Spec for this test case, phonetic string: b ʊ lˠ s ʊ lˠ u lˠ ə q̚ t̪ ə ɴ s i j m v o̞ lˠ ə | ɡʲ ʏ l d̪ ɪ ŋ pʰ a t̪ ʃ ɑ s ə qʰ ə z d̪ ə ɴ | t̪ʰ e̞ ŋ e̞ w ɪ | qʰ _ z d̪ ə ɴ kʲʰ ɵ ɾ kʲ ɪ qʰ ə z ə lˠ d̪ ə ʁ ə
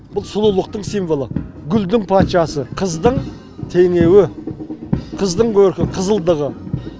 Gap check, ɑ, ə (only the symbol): ə